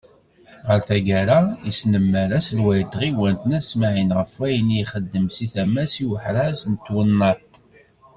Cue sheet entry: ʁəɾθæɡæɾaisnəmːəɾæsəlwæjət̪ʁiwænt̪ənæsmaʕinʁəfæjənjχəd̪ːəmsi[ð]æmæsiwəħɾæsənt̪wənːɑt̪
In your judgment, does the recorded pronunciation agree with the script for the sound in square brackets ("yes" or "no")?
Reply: no